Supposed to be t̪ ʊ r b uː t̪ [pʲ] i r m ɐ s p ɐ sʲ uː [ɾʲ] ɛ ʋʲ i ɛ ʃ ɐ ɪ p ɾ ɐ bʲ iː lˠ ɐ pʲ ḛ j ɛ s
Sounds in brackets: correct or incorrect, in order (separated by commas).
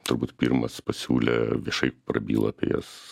correct, incorrect